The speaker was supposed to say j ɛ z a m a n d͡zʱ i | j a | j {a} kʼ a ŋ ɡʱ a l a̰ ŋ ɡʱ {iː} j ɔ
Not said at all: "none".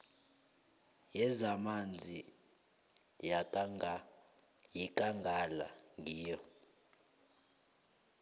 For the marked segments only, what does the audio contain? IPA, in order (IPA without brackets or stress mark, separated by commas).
i, iː